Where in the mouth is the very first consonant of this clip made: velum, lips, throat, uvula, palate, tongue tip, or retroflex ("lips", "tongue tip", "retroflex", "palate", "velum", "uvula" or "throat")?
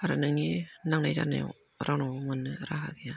tongue tip